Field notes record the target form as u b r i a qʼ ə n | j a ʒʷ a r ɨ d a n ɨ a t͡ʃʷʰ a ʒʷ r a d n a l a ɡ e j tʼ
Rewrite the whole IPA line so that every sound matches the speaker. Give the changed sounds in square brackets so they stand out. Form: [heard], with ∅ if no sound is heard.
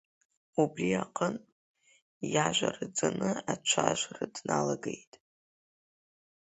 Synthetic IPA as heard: u b r i a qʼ ə n | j a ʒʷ a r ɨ [d͡z] a n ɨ a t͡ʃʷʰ a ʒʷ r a d n a l a ɡ e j tʼ